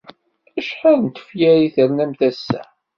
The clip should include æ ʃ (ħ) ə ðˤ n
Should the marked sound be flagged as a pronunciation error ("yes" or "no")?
no